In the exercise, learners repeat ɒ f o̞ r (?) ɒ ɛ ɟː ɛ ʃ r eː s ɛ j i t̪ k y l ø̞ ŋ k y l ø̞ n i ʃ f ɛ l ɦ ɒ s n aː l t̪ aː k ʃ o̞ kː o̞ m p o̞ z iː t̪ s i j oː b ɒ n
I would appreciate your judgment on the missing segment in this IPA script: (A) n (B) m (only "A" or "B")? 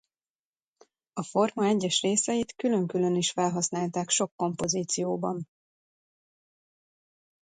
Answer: B